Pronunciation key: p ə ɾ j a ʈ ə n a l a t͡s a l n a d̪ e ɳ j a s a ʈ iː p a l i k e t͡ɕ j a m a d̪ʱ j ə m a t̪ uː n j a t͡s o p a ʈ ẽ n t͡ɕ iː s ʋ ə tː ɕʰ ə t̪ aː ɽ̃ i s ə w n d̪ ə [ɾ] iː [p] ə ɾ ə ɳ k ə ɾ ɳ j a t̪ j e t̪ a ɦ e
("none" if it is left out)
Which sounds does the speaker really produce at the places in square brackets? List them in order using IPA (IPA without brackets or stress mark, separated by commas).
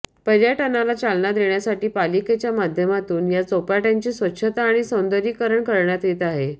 ɾ, k